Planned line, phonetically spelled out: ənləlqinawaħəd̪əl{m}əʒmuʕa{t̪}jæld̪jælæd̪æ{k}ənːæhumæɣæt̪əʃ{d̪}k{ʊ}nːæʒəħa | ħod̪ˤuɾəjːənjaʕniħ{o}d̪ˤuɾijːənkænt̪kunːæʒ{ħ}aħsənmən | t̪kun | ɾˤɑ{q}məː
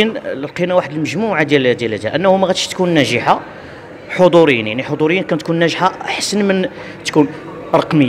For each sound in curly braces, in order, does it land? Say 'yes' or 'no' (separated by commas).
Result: yes, no, no, no, no, yes, yes, yes